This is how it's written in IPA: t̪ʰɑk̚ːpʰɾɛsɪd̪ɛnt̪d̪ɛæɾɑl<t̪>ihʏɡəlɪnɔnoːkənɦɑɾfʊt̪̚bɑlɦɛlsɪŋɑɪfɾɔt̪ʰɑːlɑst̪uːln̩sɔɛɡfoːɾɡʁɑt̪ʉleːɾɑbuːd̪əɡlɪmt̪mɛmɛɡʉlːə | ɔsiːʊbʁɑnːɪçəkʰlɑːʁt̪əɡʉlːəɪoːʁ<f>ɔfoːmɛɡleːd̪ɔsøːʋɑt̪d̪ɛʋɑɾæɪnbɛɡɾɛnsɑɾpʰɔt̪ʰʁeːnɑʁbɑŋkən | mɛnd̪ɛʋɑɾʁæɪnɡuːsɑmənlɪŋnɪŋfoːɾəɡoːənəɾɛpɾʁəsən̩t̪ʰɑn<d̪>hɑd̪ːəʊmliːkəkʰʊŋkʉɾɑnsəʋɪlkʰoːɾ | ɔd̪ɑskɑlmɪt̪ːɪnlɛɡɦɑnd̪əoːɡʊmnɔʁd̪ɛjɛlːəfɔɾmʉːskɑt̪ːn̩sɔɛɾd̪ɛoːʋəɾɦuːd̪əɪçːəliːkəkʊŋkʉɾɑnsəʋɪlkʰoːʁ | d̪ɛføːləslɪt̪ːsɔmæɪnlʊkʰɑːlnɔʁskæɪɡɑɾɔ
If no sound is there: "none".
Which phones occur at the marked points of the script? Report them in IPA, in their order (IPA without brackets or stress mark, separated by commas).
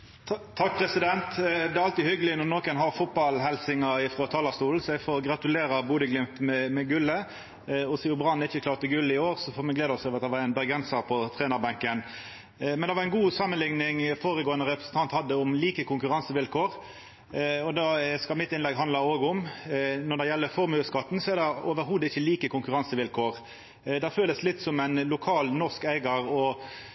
t̪, s, t̪